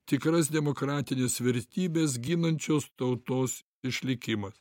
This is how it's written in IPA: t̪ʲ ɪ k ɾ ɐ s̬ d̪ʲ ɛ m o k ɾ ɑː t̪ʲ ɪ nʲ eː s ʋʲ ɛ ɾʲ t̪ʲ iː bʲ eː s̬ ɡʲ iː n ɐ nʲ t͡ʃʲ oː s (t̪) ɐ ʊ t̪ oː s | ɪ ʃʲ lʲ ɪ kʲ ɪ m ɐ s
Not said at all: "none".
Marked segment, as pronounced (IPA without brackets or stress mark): t̪